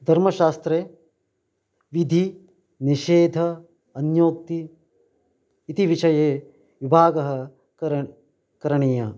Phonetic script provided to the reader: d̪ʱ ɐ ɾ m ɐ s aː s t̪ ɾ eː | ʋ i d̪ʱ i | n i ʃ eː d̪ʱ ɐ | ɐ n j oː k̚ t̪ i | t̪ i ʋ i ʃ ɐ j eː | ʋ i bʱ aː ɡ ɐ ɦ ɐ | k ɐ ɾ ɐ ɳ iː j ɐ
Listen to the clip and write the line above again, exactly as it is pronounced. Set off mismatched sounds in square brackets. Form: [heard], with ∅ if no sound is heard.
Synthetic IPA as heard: d̪ʱ ɐ ɾ m ɐ [ʃ] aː s t̪ ɾ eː | ʋ i d̪ʱ i | n i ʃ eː d̪ʱ ɐ | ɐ n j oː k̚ t̪ i | t̪ i ʋ i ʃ ɐ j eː | ʋ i bʱ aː ɡ ɐ ɦ ɐ | k ɐ ɾ ɐ ɳ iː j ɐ